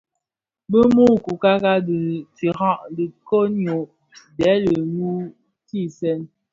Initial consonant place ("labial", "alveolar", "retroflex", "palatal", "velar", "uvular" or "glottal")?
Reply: labial